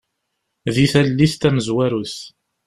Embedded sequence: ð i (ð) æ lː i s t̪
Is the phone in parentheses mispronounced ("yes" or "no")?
yes